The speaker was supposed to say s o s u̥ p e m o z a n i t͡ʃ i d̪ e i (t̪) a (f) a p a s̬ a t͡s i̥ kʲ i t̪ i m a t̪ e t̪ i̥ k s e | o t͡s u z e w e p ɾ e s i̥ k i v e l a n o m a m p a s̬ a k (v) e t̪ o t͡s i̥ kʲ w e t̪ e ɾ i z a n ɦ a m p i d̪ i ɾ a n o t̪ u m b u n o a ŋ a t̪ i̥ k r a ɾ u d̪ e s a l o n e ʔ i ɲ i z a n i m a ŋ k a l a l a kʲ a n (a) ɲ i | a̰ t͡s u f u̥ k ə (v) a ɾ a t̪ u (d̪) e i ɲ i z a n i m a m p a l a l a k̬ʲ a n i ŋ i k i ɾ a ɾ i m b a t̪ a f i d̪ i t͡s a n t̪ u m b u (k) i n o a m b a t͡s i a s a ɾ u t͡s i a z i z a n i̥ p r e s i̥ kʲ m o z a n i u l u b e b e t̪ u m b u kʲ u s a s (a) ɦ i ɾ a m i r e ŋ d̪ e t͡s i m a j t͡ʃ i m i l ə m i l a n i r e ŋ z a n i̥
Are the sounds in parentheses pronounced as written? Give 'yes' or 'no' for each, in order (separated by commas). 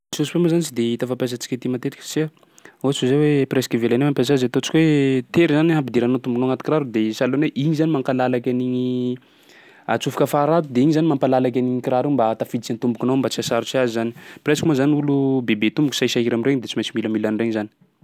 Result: yes, yes, no, no, no, yes, yes, yes